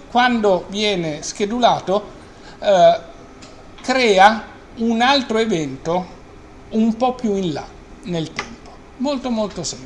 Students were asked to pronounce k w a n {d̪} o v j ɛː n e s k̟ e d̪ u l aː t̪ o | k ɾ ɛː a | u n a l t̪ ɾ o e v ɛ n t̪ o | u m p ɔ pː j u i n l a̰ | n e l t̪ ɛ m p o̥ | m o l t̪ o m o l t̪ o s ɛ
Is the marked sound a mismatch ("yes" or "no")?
no